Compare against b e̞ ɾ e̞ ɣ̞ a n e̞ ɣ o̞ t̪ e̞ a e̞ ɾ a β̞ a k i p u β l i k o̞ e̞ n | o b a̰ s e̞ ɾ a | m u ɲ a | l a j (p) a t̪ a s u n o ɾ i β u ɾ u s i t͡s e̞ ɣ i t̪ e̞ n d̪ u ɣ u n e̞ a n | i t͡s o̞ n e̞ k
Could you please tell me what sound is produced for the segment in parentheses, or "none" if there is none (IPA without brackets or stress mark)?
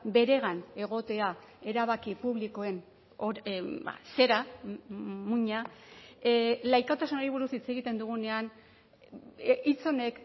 k